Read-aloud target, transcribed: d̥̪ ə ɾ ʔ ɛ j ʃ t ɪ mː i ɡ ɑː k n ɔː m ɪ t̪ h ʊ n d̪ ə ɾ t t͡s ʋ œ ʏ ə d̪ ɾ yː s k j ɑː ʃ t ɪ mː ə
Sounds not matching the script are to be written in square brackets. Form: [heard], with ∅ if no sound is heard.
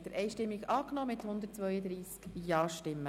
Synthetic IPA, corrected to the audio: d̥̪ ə ɾ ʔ ɛ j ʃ t ɪ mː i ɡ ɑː k n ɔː m ɪ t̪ h ʊ n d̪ ə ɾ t t͡s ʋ œ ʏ ə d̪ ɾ [iː] s k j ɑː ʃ t ɪ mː ə

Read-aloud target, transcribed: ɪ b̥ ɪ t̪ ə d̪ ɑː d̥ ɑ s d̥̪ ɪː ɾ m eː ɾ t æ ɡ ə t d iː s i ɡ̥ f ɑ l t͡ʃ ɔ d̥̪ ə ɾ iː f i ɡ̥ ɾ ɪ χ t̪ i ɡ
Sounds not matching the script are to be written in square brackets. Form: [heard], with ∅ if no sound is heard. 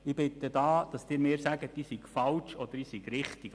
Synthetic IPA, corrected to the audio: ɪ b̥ ɪ t̪ ə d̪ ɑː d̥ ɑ s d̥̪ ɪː ɾ m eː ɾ [s] æ ɡ ə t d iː s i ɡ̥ f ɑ l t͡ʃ ɔ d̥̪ ə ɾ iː [s] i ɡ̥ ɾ ɪ χ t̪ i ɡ

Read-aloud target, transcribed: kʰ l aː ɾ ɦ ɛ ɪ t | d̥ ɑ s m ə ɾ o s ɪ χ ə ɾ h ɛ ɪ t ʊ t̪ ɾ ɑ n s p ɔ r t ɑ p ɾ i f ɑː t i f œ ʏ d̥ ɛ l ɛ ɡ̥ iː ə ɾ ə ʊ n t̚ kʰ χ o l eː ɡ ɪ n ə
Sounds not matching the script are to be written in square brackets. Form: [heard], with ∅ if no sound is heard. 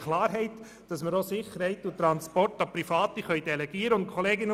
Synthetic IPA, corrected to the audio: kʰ l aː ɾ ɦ ɛ ɪ t | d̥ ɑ s m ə ɾ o s ɪ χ ə ɾ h ɛ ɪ t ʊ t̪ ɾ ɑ n s p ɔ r t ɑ p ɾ i f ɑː t i [χ] œ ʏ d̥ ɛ l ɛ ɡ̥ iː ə ɾ ə ʊ n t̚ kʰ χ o l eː ɡ ɪ n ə

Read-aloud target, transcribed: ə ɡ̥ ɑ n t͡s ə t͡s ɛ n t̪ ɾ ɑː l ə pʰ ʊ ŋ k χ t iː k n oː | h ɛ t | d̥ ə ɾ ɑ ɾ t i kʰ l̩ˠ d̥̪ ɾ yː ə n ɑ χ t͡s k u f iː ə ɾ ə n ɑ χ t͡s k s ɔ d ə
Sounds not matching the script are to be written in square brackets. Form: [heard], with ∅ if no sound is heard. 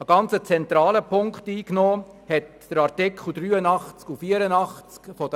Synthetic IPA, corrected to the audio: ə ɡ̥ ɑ n t͡s ə t͡s ɛ n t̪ ɾ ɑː l ə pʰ ʊ ŋ k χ t iː k n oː | h ɛ t | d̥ ə ɾ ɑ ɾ t [ɪ] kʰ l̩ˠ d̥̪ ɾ yː ə n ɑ χ t͡s k u f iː ə ɾ ə n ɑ χ t͡s k [f] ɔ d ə

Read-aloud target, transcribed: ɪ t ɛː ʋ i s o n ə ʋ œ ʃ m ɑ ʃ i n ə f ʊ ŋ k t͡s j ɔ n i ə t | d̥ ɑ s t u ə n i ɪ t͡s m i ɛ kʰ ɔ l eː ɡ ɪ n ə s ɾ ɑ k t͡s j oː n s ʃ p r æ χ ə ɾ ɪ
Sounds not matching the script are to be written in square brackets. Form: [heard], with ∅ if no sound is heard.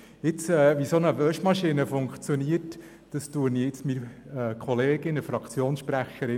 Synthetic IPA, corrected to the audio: ɪ [t͡s] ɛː ʋ i s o n ə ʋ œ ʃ m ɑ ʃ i n ə f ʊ ŋ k t͡s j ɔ n i ə t | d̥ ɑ s t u ə n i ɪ t͡s m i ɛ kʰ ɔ l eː ɡ ɪ n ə [f] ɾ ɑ k t͡s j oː n s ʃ p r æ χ ə ɾ ɪ

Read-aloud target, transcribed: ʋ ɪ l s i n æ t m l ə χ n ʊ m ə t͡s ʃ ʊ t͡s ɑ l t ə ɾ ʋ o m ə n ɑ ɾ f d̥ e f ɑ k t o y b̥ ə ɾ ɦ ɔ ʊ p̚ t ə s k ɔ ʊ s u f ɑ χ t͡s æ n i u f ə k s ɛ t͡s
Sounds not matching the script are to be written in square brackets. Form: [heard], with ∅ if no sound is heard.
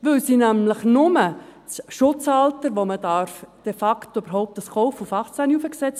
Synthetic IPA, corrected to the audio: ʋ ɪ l s i n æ [∅] m l ə χ n ʊ m ə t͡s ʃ ʊ t͡s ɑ l t ə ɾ ʋ o m ə [d] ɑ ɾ f d̥ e f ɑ k t o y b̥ ə ɾ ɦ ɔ ʊ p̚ t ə s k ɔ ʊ [f] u f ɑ χ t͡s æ n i u f ə k s ɛ t͡s

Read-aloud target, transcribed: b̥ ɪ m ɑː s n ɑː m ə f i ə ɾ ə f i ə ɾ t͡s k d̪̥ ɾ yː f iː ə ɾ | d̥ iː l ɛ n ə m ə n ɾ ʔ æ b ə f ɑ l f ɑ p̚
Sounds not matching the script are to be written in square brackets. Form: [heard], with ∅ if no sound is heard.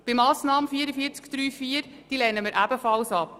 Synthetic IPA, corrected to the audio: b̥ ɪ m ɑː s n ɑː m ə f i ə ɾ ə f i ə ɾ t͡s k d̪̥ ɾ yː f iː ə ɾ | d̥ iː l ɛ n ə m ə [∅] ɾ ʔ æ b ə f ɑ l [s] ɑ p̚

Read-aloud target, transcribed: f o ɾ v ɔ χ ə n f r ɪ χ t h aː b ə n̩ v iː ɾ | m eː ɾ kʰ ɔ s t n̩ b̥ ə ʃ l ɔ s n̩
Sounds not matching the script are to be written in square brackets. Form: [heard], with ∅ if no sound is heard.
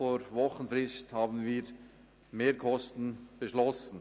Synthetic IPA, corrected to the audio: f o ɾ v ɔ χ ə n f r ɪ [s] t h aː b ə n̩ v iː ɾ | m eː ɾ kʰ ɔ s t n̩ b̥ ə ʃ l ɔ s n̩

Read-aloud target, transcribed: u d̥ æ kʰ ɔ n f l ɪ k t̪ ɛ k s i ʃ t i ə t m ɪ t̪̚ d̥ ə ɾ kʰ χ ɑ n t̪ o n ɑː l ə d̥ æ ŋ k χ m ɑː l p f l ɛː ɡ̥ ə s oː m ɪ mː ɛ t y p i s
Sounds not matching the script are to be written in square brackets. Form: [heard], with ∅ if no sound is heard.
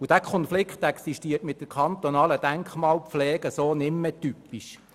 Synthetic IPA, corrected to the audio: u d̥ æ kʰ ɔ n f l ɪ k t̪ ɛ k s i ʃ t i ə t m ɪ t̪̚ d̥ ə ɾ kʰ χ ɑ n t̪ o n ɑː l ə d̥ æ ŋ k χ m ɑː l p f l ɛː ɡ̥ ə s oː [n] ɪ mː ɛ t y p i [ʃ]

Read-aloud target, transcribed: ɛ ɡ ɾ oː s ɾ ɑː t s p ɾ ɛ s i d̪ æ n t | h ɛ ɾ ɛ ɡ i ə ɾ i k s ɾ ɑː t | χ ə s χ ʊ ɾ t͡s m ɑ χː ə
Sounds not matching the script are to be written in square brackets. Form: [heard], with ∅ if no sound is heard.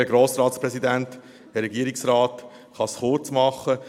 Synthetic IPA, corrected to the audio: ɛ ɡ ɾ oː s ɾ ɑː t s p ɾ ɛ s i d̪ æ n t | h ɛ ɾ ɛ ɡ i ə ɾ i k s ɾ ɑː t | χ [ɑ] s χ ʊ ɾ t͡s m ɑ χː ə

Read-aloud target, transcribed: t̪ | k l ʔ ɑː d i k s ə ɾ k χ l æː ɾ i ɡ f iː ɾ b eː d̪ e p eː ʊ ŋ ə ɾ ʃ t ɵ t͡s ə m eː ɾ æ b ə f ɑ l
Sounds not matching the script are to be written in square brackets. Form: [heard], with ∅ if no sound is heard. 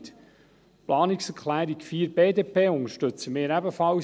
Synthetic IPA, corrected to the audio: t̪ | [p] l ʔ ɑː [n] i k s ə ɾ k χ l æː ɾ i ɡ f iː ɾ b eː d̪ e p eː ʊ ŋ ə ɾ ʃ t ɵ t͡s ə m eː ɾ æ b ə f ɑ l

